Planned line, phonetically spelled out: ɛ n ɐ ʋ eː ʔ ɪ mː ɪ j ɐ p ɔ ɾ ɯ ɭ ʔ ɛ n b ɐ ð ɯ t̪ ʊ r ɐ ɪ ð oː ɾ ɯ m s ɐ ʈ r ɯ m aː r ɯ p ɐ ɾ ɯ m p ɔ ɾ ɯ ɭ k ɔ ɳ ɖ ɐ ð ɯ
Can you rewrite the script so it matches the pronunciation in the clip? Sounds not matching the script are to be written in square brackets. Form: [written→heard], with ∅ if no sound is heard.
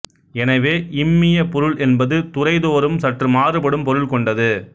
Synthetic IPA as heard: ɛ n ɐ ʋ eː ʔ ɪ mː ɪ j ɐ p ɔ ɾ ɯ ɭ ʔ ɛ n b ɐ ð ɯ t̪ ʊ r ɐ ɪ ð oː ɾ ɯ m s ɐ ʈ r ɯ m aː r ɯ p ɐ [ɾ→ɽ] ɯ m p ɔ ɾ ɯ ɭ k ɔ ɳ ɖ ɐ ð ɯ